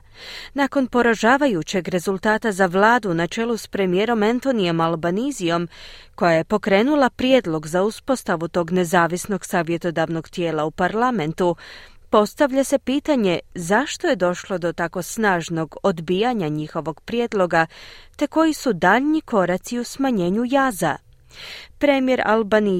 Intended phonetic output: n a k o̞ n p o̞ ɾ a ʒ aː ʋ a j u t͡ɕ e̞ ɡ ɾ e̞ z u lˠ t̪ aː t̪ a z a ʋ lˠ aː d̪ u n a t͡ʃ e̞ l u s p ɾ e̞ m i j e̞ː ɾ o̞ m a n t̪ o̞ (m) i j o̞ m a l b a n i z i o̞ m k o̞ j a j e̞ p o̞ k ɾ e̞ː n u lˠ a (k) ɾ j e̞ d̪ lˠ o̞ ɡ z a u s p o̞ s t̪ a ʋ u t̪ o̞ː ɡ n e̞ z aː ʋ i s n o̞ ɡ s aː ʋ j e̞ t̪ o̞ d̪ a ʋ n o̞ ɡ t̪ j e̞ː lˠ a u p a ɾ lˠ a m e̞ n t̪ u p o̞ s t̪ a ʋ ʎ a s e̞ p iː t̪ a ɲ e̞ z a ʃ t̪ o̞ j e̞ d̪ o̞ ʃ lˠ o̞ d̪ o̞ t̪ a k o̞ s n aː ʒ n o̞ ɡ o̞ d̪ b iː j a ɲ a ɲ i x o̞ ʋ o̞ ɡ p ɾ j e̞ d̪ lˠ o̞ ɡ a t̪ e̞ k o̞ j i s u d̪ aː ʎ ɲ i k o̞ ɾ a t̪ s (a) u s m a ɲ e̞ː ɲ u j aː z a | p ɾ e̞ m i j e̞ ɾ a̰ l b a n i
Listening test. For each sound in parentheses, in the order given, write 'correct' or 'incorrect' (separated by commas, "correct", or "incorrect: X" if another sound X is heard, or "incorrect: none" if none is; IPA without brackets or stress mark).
incorrect: n, incorrect: p, incorrect: i